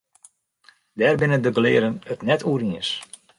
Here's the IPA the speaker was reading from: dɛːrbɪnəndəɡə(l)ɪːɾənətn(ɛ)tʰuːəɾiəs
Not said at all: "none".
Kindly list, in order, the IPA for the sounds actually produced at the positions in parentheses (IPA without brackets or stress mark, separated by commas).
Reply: l, ɛ